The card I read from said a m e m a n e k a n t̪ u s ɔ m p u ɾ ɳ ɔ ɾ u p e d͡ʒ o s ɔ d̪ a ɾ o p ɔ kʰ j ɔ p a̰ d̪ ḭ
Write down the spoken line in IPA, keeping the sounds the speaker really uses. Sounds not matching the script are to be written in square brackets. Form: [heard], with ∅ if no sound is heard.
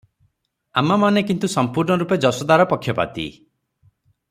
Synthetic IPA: a m [a] m a n e k [i] n t̪ u s ɔ m p u ɾ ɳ ɔ ɾ u p e d͡ʒ [ɔ] s ɔ d̪ a ɾ [ɔ] p ɔ kʰ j ɔ p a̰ [t̪] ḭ